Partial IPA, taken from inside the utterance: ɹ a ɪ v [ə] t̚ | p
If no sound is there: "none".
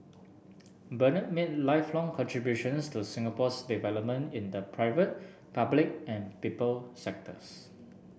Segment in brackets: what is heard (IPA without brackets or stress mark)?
ə